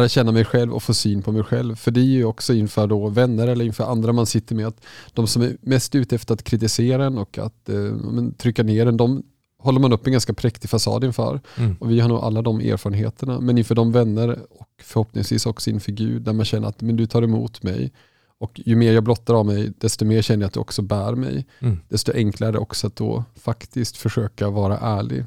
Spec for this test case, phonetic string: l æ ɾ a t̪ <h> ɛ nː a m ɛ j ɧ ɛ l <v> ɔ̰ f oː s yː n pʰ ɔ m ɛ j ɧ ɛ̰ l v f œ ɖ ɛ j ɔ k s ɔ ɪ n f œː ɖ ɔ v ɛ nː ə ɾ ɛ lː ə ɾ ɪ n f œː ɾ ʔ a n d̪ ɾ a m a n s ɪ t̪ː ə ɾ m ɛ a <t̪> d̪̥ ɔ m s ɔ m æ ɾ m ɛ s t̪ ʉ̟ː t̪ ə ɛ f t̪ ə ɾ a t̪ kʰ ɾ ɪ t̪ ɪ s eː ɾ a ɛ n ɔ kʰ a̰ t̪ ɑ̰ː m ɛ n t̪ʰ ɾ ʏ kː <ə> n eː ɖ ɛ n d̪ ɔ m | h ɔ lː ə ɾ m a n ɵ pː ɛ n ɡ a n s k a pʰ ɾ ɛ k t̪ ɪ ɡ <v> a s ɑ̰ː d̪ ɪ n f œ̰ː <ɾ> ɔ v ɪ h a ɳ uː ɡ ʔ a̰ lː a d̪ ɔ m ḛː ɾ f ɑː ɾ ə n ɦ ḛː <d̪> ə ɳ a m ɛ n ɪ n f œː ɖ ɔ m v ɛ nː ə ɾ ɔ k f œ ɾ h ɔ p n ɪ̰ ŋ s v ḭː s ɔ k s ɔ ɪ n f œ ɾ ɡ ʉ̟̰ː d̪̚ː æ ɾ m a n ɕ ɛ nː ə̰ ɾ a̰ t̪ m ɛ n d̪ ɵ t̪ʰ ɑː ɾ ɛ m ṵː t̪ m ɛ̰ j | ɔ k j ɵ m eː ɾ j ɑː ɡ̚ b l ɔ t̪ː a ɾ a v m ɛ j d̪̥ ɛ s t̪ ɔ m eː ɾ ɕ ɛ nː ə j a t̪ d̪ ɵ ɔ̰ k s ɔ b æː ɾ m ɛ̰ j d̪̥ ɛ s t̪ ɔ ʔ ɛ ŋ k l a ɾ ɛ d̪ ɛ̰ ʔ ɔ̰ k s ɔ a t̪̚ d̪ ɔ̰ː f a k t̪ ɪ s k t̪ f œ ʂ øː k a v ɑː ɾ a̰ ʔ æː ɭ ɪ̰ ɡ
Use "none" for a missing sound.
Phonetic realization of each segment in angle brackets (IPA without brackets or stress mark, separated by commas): ɕ, v, t̪, a, f, ɾ, t̪